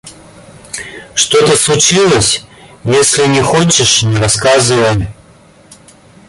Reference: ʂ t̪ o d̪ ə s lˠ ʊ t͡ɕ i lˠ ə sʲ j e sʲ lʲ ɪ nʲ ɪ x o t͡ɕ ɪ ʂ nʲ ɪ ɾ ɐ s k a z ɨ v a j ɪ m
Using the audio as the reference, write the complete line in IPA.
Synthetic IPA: ʂ t̪ o t̪ ə s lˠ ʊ t͡ɕ i lˠ ə sʲ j e sʲ lʲ ɪ nʲ ɪ x o t͡ɕ ɪ ʂ nʲ ɪ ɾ ɐ s k a z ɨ v ə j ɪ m